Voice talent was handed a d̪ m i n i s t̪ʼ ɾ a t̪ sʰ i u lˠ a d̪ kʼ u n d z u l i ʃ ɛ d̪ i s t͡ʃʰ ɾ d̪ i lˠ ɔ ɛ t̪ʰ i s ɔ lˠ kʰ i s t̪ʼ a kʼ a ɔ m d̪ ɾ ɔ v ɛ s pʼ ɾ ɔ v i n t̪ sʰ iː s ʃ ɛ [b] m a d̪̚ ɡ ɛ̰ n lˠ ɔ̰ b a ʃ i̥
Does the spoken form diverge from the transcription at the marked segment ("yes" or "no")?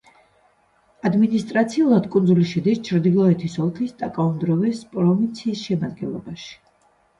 yes